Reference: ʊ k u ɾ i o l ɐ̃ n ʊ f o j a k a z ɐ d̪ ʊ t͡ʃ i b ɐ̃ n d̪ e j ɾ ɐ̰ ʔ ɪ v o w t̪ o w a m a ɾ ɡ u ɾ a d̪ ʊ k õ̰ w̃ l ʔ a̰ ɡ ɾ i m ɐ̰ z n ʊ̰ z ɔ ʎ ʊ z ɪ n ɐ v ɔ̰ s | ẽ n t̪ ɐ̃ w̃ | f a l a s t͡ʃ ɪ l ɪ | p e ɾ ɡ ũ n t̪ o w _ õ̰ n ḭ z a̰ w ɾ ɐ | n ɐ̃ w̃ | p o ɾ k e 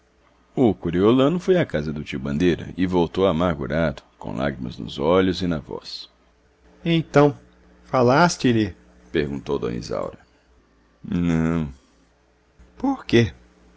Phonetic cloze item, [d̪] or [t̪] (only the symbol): d̪